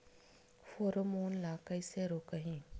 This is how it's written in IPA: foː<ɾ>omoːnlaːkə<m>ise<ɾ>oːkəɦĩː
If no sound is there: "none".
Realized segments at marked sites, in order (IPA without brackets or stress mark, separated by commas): ɾ, none, ɾ